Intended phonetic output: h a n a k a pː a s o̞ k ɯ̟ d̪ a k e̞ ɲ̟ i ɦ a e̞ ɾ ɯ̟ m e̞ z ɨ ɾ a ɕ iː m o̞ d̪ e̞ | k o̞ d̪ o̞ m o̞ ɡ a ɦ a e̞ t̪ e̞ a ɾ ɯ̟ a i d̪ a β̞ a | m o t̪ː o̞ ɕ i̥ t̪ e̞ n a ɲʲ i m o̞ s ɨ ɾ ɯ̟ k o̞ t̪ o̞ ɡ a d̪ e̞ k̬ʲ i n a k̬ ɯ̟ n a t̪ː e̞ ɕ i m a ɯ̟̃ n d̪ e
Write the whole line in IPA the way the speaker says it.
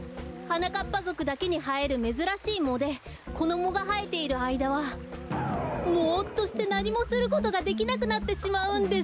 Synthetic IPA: h a n a k a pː a z o̞ k ɯ̟ d̪ a k e̞ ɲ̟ i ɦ a e̞ ɾ ɯ̟ m e̞ z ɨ ɾ a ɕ iː m o̞ d̪ e̞ | k o̞ d̪ o̞ m o̞ ɡ a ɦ a e̞ t̪ e̞ i ɾ ɯ̟ a i d̪ a β̞ a | m o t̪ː o̞ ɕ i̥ t̪ e̞ n a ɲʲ i m o̞ s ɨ ɾ ɯ̟ k o̞ t̪ o̞ ɡ a d̪ e̞ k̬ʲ i n a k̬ ɯ̟ n a t̪ː e̞ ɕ i m a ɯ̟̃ n d̪ e